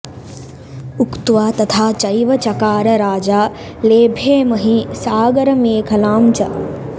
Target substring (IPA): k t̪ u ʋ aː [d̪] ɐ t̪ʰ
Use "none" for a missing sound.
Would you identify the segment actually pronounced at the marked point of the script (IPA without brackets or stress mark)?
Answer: t̪